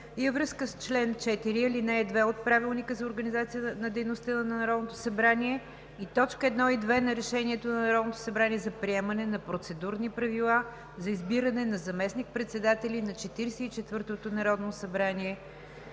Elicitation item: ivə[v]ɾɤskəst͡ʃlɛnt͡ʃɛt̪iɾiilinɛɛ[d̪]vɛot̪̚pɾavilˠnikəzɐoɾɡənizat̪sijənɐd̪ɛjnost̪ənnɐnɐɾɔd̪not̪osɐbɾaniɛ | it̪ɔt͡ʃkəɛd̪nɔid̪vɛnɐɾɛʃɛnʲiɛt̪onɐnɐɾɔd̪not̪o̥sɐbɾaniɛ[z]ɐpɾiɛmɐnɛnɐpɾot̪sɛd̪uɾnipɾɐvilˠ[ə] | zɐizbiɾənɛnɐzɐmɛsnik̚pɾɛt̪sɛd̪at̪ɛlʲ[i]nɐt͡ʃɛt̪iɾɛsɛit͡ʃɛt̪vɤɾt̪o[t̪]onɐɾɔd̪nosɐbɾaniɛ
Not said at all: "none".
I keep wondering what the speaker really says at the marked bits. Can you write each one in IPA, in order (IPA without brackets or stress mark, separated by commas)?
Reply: v, d̪, z, a, i, t̪